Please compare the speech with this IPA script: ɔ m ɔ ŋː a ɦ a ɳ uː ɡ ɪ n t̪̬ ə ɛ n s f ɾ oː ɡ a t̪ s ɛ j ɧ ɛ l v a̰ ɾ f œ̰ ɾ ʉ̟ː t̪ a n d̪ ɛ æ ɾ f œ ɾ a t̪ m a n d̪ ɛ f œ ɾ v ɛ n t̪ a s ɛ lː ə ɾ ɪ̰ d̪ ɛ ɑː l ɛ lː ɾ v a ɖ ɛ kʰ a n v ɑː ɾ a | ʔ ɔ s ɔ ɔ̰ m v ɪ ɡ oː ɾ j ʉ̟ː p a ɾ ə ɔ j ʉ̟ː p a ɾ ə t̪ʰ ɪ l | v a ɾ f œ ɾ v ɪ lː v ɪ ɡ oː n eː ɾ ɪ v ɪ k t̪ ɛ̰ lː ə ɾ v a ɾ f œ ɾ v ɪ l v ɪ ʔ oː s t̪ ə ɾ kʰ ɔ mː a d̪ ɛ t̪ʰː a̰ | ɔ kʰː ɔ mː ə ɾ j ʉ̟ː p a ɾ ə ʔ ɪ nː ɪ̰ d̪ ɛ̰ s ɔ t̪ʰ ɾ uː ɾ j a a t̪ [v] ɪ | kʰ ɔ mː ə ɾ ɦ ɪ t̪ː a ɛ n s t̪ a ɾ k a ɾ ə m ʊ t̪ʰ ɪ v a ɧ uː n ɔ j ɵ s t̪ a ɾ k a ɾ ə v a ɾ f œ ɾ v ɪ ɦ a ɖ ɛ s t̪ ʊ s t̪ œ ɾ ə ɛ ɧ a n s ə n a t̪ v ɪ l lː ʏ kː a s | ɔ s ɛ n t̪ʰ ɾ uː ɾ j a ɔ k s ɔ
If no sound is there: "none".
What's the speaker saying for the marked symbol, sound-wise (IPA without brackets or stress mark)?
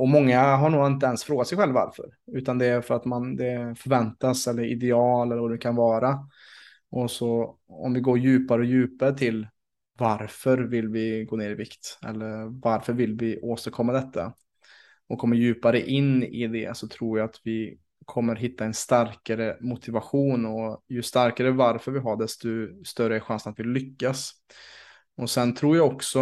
v